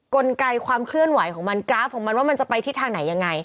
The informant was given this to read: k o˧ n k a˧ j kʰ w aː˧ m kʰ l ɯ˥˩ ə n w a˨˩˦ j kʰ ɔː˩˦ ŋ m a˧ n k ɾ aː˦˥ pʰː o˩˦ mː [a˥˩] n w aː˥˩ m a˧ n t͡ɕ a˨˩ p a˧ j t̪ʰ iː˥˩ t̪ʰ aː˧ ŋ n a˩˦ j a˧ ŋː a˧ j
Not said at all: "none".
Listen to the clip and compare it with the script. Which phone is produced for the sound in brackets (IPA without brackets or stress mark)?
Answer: a˧